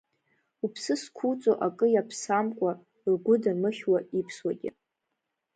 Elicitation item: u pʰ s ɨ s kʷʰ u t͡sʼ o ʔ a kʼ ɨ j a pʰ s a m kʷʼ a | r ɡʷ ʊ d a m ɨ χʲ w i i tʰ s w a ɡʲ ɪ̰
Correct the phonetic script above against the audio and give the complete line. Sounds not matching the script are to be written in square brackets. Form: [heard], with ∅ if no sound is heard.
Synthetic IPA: u pʰ s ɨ s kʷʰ u t͡sʼ o ʔ a kʼ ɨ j a pʰ s a m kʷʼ a | r ɡʷ ʊ d a m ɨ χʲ w [a] i [pʰ] s w a ɡʲ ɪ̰